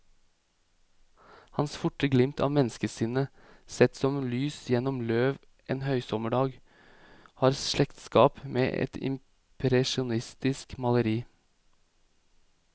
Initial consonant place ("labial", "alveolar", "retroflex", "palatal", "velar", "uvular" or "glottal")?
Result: glottal